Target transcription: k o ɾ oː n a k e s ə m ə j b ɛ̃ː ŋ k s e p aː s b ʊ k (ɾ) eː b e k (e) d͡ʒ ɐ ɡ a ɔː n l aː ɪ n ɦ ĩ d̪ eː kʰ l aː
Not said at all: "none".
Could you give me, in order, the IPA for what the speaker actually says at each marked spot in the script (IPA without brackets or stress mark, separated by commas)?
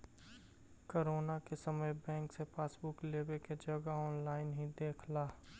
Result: l, e